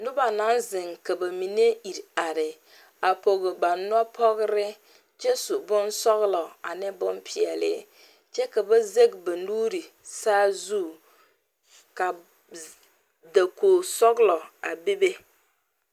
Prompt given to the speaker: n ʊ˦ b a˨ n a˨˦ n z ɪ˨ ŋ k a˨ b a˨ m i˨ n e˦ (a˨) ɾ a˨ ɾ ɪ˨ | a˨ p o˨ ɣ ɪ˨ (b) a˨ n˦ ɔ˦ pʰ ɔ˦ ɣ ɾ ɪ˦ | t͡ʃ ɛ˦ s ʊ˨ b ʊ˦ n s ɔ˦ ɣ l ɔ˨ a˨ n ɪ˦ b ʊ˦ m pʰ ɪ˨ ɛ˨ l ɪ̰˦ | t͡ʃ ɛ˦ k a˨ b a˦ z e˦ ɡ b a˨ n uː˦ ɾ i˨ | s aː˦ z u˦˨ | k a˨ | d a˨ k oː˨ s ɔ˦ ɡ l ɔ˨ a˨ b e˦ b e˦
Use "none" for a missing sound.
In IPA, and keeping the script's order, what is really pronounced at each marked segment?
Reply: i˨, b

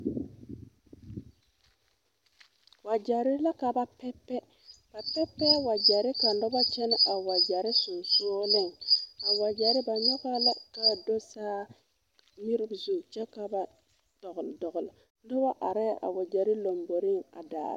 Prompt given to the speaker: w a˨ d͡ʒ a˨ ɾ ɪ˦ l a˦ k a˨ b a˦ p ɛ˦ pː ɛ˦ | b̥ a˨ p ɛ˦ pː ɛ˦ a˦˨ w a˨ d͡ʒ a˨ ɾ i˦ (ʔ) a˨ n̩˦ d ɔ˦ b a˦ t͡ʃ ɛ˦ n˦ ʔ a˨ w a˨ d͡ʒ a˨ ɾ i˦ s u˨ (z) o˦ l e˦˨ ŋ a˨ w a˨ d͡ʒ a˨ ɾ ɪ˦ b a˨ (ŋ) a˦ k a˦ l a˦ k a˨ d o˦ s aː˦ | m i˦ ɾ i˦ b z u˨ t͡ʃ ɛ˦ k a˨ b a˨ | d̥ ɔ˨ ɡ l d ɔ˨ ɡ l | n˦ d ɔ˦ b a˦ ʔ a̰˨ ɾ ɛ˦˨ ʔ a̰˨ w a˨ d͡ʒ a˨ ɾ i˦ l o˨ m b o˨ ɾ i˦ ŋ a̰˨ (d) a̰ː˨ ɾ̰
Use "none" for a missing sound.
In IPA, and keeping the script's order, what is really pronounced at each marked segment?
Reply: k, s, ɲ, d

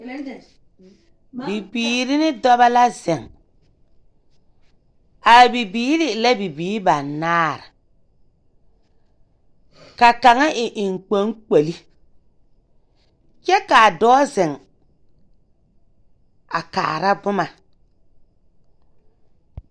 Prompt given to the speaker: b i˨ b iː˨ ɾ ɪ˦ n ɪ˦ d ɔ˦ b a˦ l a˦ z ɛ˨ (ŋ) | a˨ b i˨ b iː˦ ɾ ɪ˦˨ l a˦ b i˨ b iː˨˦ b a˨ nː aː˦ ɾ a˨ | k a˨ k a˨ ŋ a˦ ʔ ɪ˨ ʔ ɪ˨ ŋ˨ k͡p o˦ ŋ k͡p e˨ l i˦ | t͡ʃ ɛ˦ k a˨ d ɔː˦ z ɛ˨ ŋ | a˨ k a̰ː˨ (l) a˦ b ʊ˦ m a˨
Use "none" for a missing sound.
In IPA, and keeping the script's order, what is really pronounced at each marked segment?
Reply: ŋ, ɾ

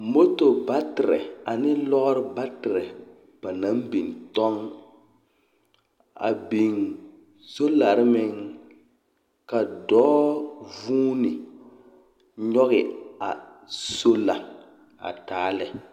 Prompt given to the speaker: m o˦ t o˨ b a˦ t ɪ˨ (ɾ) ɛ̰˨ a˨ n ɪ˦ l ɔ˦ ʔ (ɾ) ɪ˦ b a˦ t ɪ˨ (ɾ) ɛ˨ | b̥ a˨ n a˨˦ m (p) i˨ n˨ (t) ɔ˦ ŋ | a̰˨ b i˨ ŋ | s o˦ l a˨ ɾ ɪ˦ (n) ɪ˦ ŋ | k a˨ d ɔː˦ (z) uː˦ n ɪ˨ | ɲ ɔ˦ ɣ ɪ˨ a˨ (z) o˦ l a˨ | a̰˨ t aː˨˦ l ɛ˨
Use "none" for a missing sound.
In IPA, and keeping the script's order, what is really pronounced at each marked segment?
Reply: ɾ, ɾ, ɾ, b, t, m, v, s

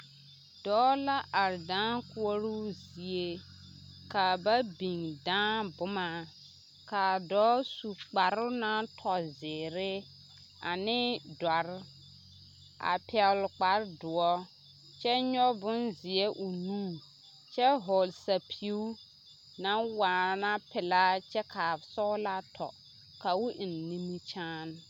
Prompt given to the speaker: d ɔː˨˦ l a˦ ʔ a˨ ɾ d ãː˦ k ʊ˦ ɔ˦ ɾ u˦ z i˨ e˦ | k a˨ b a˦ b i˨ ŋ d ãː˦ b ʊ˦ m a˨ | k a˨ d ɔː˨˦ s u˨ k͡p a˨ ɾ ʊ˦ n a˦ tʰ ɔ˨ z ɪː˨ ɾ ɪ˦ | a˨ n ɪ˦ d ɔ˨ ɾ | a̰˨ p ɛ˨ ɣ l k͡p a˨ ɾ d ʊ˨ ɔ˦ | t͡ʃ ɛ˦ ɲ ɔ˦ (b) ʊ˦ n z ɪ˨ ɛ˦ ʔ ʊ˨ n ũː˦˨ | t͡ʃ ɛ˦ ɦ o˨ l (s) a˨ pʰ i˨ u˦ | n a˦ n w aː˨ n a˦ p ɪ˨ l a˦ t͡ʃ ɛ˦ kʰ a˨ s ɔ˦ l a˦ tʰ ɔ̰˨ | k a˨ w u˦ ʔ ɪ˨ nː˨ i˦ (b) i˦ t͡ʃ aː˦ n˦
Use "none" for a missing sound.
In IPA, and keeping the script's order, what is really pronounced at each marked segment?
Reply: b, s, m

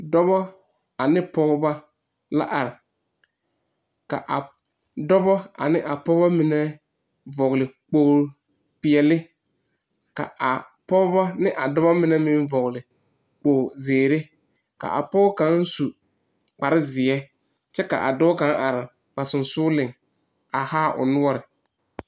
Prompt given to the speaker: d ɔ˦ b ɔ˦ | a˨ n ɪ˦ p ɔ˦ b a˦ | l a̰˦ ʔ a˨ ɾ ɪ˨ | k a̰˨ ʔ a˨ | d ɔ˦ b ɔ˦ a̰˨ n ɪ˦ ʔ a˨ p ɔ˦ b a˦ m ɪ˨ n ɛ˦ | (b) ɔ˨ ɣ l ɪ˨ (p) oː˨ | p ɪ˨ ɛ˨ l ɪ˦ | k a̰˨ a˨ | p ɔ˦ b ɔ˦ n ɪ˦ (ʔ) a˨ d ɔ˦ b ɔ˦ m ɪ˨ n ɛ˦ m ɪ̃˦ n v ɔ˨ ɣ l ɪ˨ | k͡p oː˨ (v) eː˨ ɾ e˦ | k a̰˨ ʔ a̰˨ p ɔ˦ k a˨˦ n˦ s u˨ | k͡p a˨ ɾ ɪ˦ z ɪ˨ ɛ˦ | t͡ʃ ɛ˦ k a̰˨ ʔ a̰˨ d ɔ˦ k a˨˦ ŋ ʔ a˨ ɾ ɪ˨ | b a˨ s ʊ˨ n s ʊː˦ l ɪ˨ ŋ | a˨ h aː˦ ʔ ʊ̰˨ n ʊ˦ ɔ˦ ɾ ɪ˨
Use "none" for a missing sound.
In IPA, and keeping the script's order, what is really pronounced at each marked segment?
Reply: v, k͡p, ʔ, z

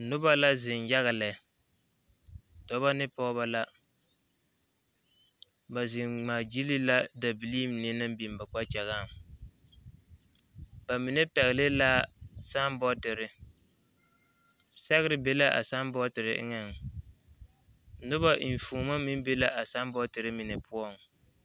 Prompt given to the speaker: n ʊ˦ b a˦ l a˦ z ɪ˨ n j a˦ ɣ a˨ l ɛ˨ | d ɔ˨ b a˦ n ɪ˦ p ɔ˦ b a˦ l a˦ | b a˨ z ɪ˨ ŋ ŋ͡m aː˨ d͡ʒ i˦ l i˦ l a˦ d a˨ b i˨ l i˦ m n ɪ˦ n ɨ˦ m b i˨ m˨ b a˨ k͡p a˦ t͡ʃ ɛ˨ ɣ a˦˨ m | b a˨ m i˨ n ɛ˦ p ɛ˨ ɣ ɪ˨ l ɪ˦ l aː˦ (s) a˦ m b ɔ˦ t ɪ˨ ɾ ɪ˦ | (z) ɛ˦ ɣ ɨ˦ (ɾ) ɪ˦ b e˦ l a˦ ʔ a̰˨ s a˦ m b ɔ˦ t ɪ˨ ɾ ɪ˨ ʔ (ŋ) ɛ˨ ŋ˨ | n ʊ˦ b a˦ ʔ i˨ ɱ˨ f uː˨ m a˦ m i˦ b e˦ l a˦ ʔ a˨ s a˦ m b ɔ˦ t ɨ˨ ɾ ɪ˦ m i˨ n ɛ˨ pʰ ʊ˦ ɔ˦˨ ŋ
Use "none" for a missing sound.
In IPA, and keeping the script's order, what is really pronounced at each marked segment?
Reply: s, s, ɾ, ŋ

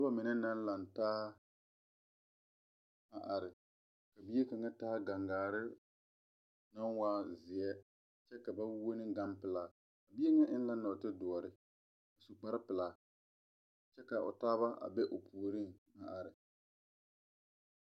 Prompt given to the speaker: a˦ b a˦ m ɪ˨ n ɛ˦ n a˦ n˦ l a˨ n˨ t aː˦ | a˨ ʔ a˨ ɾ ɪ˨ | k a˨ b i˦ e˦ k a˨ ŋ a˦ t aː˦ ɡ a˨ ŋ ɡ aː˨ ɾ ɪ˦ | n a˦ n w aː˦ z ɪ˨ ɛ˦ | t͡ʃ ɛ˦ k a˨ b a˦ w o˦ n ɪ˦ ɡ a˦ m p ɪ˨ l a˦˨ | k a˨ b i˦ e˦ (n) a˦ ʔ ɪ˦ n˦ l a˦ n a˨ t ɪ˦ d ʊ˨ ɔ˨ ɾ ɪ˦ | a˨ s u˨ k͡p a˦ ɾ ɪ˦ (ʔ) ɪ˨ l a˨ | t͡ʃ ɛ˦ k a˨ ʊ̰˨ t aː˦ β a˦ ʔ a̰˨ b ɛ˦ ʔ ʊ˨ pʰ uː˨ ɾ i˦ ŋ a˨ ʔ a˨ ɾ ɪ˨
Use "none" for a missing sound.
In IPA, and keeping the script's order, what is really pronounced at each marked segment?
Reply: ŋ, p

